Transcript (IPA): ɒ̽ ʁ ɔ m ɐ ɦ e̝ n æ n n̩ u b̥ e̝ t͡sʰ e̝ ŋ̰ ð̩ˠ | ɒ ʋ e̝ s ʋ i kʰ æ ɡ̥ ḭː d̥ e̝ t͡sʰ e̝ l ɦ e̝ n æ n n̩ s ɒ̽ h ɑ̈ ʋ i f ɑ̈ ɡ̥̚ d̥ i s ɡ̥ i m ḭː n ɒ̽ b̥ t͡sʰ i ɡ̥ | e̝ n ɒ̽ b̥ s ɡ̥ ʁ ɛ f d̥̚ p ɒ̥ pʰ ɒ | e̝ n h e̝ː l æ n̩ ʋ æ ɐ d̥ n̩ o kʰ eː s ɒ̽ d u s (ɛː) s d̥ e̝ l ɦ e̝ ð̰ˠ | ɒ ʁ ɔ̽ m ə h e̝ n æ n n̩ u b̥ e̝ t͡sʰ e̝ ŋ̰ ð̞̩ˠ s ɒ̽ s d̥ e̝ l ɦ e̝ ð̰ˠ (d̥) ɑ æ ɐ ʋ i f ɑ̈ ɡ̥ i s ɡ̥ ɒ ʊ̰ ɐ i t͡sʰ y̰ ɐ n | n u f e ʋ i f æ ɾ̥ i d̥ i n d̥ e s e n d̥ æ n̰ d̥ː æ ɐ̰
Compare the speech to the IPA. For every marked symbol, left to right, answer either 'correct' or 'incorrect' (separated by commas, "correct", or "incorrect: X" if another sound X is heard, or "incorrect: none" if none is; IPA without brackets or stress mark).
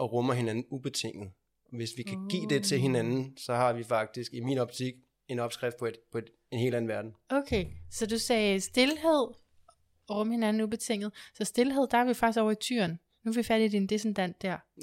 correct, correct